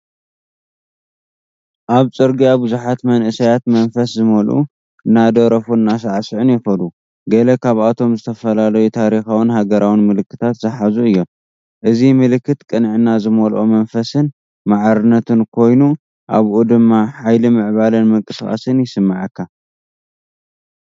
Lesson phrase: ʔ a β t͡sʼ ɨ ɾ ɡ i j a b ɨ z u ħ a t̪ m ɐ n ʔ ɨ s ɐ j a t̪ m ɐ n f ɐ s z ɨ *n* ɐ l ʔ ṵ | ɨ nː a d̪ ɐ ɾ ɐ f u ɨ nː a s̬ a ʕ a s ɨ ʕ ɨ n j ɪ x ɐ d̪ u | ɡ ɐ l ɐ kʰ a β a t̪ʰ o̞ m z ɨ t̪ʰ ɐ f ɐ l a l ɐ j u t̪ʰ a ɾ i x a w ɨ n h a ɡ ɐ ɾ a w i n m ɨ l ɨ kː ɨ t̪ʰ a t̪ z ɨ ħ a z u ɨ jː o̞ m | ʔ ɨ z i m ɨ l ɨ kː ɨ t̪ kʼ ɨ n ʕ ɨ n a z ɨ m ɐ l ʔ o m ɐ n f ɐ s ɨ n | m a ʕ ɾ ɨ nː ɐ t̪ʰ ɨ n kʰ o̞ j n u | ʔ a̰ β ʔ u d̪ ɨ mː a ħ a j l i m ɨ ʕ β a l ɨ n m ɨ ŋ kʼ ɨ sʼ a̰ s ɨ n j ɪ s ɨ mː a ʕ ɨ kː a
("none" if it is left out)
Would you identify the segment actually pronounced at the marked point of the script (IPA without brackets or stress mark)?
m